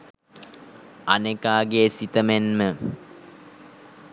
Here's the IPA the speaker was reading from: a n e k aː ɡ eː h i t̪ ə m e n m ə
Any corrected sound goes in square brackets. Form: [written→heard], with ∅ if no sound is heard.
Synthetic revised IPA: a n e k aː ɡ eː [h→s] i t̪ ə m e n m ə